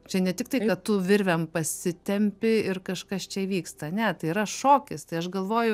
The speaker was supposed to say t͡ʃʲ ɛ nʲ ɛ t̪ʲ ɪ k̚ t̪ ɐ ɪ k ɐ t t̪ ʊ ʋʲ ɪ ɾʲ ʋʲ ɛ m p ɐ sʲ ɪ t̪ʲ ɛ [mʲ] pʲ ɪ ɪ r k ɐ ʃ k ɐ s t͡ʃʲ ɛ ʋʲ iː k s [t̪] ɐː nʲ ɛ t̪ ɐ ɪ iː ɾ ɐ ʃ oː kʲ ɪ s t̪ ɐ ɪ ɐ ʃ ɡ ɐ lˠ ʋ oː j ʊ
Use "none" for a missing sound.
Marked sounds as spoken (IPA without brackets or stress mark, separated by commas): mʲ, t̪